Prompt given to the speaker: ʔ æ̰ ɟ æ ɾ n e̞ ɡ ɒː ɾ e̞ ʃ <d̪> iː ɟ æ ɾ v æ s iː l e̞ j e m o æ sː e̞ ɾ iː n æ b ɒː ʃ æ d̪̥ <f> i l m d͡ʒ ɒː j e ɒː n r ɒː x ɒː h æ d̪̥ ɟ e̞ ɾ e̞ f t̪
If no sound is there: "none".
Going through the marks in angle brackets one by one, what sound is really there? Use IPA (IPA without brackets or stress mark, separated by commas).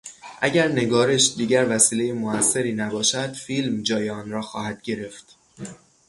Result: d̪, f